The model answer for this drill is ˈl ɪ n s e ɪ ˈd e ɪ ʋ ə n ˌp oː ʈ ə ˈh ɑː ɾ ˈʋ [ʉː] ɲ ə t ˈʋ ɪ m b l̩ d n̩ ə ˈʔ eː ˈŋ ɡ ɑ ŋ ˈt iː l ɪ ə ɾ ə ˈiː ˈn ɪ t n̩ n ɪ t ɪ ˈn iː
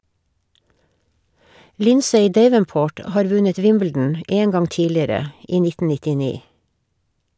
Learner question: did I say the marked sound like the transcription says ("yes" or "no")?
no